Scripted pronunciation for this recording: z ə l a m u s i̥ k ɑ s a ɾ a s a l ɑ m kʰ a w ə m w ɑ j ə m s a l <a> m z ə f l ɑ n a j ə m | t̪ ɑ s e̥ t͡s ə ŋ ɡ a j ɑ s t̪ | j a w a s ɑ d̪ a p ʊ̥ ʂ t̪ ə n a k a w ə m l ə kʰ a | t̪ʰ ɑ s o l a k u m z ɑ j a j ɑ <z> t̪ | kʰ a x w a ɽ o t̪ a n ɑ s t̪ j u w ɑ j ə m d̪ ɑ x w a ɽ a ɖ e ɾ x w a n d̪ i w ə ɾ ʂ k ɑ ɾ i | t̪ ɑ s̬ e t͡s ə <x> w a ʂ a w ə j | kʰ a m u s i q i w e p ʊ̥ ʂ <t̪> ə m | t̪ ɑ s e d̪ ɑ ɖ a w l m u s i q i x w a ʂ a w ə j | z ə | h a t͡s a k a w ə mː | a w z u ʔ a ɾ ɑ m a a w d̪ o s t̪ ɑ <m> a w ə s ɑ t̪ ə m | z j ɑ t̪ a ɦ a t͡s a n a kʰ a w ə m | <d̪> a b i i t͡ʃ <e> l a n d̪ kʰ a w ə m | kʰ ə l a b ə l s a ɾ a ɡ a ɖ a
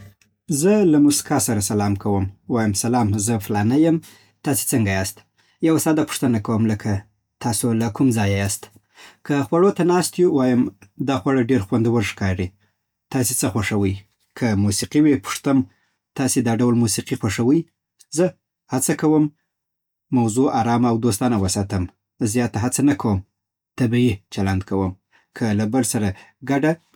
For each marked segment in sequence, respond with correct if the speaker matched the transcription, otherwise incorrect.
incorrect: ɑ, incorrect: s, correct, correct, incorrect: n, incorrect: t̪, incorrect: a

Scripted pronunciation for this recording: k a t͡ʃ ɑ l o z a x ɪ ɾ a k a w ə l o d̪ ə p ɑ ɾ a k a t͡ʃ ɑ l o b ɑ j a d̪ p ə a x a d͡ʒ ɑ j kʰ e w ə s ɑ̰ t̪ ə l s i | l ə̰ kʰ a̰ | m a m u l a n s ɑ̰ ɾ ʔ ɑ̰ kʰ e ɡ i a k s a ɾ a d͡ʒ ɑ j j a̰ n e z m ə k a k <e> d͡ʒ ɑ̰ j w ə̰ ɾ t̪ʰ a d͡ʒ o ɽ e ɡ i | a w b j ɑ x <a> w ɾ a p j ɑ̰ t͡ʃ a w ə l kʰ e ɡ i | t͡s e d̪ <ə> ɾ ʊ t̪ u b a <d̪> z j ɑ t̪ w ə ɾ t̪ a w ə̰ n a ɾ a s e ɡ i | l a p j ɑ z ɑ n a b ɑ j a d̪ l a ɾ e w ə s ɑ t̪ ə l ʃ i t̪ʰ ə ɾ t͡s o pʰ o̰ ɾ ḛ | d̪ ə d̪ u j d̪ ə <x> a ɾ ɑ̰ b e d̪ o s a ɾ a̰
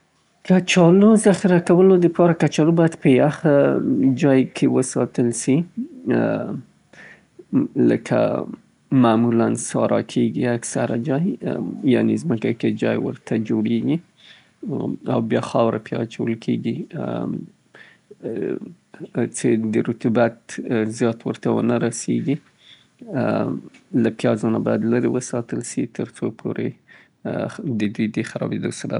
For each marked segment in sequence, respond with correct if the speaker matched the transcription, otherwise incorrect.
correct, incorrect: ɑ, correct, incorrect: t̪, correct

